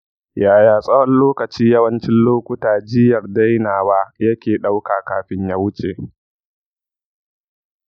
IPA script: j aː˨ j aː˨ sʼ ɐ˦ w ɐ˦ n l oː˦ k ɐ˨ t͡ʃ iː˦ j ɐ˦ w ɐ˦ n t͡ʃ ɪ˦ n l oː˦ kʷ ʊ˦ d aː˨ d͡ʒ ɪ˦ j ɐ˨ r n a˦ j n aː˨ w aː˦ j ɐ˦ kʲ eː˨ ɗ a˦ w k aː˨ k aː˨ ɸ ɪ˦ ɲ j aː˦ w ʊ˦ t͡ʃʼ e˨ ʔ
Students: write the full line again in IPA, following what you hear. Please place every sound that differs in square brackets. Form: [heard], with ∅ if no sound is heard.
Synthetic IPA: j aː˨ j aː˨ sʼ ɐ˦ w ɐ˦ n l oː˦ k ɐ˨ t͡ʃ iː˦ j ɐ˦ w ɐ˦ n t͡ʃ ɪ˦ n l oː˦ kʷ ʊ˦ [t] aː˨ d͡ʒ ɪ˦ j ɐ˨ r [d] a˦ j n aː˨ w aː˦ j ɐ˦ kʲ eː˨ ɗ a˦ w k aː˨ k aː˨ ɸ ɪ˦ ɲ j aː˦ w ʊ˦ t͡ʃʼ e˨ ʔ